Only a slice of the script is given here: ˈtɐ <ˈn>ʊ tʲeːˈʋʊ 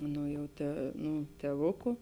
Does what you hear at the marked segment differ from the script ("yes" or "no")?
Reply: no